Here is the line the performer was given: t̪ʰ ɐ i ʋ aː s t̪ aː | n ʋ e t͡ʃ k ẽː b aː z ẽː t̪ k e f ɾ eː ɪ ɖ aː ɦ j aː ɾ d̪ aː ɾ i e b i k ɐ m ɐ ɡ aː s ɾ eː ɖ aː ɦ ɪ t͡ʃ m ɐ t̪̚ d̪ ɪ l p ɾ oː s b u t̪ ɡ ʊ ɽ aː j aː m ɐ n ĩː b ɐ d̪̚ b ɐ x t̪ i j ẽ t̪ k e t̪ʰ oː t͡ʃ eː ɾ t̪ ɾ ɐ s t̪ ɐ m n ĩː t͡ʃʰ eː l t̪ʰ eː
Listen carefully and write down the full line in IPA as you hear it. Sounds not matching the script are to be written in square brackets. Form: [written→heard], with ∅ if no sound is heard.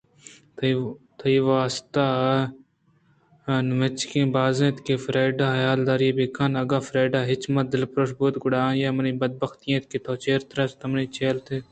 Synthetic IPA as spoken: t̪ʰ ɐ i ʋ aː s t̪ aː | n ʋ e t͡ʃ k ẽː b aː z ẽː t̪ k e f ɾ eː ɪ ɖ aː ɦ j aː [ɾ→l] d̪ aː ɾ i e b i k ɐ [m→n] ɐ ɡ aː [s→f] ɾ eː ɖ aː ɦ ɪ t͡ʃ m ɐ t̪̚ d̪ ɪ l p ɾ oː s b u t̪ ɡ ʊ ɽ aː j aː m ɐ n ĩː b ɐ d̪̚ b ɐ x t̪ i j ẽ t̪ k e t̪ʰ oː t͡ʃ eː ɾ t̪ ɾ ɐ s t̪ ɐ m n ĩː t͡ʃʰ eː l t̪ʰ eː